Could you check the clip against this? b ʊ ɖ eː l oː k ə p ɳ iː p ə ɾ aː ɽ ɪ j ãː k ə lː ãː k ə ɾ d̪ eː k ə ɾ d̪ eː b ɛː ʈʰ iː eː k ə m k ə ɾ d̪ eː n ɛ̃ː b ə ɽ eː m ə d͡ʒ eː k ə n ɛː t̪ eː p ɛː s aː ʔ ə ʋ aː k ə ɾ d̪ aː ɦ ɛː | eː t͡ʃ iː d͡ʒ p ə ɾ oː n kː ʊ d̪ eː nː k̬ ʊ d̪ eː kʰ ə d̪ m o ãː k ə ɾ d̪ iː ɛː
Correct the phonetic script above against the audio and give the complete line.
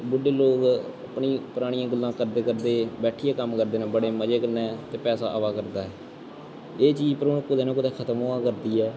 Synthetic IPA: b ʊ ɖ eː l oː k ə p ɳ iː p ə ɾ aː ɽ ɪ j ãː ɡ ə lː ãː k ə ɾ d̪ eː k ə ɾ d̪ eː b ɛː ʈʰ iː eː k ə m k ə ɾ d̪ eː n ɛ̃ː b ə ɽ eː m ə d͡ʒ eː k ə n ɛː t̪ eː p ɛː s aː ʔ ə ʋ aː k ə ɾ d̪ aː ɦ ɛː | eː t͡ʃ iː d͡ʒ p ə ɾ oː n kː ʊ d̪ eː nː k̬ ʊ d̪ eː kʰ ə t̪ m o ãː k ə ɾ d̪ iː ɛː